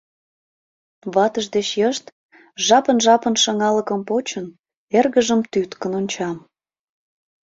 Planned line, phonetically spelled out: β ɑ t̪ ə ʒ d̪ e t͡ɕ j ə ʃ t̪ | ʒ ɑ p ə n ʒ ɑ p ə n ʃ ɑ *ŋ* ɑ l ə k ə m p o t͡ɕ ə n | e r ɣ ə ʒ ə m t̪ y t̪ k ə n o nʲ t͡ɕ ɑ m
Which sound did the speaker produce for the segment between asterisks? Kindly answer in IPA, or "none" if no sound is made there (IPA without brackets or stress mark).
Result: ŋ